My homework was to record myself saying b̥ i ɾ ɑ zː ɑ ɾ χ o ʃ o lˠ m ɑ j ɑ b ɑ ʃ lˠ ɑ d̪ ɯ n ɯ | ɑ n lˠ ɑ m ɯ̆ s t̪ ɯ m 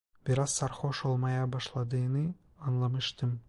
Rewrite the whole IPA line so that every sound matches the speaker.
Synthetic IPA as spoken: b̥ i ɾ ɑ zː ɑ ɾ χ o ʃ o lˠ m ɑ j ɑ b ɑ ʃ lˠ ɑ d̪ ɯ n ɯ | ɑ n lˠ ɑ m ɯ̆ ʃ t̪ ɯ m